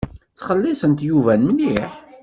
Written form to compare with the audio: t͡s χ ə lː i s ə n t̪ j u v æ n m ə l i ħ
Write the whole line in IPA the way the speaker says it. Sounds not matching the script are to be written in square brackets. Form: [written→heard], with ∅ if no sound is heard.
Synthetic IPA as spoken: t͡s χ ə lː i s ə n t̪ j u v æ n m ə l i ħ

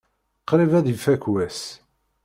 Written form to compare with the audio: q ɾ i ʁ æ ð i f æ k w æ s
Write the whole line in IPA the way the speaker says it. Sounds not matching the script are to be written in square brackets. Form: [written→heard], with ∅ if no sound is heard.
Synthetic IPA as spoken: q ɾ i [ʁ→v] æ ð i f æ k w æ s

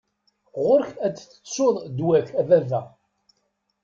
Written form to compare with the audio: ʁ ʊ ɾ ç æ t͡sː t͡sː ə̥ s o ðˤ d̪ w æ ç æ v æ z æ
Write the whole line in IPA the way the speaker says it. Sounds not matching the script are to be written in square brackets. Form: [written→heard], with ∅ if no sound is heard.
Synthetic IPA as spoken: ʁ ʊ ɾ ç æ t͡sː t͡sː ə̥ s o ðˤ d̪ w æ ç æ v æ [z→v] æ

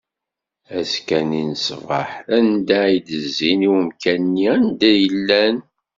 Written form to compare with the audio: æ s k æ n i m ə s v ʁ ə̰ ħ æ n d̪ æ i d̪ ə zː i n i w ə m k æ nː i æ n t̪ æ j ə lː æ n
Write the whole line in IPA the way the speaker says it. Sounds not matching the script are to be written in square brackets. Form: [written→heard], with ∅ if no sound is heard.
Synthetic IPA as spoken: æ s k æ n i [m→n] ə s v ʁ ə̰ ħ æ n d̪ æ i d̪ ə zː i n i w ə m k æ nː i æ n [t̪→d̪] æ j ə lː æ n

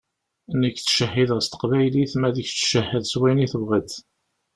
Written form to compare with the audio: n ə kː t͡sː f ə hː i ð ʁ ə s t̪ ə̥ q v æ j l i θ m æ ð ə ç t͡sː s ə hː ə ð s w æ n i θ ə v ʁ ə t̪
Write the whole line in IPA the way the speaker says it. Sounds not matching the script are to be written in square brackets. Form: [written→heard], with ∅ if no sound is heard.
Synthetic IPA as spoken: n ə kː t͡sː [f→ʃ] ə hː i ð ʁ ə s t̪ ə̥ q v æ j l i θ m æ ð ə ç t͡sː [s→ʃ] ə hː ə ð s w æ n i θ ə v ʁ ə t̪

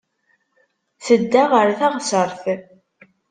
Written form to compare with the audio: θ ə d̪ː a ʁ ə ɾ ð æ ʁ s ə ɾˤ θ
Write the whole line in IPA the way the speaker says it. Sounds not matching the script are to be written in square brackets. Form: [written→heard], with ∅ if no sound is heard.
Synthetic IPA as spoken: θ ə d̪ː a ʁ ə ɾ [ð→θ] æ ʁ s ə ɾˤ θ

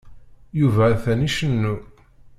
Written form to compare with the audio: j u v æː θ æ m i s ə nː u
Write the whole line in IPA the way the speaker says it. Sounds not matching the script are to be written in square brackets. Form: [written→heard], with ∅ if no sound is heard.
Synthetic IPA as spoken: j u v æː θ æ [m→n] i [s→ʃ] ə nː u

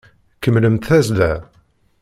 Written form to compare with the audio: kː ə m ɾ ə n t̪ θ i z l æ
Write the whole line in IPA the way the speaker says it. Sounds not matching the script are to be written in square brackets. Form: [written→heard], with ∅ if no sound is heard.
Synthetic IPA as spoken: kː ə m [ɾ→l] ə [n→m] t̪ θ [i→æ] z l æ

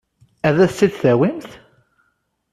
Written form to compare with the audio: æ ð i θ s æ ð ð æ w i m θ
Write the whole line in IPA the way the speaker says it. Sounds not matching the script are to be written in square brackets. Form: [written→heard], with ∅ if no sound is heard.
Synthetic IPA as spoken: æ ð [i→æ] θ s [æ→i] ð [ð→θ] æ w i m θ

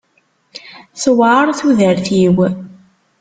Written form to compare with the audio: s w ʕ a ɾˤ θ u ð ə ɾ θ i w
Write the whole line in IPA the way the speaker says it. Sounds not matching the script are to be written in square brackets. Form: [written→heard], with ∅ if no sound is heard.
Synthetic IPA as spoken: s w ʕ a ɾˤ θ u ð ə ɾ θ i w

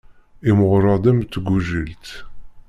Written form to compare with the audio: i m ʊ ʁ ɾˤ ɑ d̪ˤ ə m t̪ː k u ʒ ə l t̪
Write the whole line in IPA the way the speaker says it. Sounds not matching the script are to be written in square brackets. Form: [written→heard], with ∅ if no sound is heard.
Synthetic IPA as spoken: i m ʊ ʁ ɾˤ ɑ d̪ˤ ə m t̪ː [k→ɡ] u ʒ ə l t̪

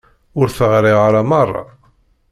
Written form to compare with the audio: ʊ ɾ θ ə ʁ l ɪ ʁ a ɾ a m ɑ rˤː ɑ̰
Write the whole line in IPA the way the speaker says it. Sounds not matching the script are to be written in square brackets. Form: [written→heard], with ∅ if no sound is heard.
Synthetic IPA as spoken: ʊ ɾ θ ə ʁ [l→ɾ] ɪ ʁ a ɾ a m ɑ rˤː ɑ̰

